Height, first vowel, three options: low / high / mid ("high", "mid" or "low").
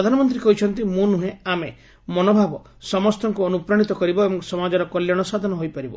low